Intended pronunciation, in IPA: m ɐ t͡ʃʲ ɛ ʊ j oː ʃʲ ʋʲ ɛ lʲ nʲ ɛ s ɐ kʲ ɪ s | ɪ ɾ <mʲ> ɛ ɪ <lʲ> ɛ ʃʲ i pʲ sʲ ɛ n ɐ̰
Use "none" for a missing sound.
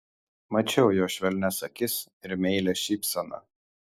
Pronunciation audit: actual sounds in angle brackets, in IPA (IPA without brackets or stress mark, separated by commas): mʲ, lʲ